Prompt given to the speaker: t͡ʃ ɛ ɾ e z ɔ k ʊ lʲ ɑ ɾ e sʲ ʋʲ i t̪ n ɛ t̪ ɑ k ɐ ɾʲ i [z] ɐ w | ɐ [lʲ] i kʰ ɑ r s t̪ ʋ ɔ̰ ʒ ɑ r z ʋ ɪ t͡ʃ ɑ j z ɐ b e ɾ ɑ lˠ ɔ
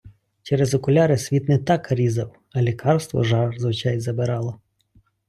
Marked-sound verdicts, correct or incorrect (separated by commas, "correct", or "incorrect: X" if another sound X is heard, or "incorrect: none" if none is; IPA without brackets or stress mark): correct, correct